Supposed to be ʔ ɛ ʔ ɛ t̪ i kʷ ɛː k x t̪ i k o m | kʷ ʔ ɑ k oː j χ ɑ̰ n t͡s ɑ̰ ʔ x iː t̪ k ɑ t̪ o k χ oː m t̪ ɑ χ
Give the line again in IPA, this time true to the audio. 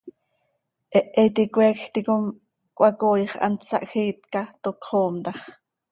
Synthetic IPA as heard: ʔ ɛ ʔ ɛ t̪ i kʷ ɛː k x t̪ i k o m | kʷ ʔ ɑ k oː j χ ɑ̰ n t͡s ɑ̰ ʔ x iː t̪ k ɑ t̪ o k χ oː m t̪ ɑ χ